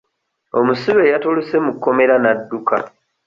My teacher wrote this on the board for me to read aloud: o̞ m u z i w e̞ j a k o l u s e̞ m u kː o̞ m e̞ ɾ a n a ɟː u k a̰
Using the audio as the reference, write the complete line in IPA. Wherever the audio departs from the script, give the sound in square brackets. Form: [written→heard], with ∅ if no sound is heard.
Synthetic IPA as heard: o̞ m u [z→s] i [w→β] e̞ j a [k→t] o l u s e̞ m u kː o̞ m e̞ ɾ a n a [ɟː→dː] u k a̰